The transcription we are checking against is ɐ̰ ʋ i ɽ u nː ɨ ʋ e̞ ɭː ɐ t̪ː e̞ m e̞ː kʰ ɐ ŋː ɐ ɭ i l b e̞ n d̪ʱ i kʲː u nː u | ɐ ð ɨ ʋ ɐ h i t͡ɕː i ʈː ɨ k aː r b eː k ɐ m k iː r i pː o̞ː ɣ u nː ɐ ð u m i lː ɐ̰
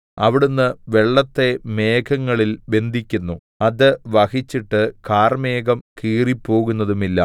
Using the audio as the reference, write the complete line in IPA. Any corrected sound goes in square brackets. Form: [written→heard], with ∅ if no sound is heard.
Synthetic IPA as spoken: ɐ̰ ʋ i ɽ u nː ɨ ʋ e̞ ɭː ɐ t̪ː e̞ m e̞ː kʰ ɐ ŋː ɐ ɭ i l b e̞ n d̪ʱ i kʲː u nː u | ɐ ð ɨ ʋ ɐ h i t͡ɕː i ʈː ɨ k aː r [b→m] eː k ɐ m k iː r i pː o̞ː ɣ u nː ɐ ð u m i lː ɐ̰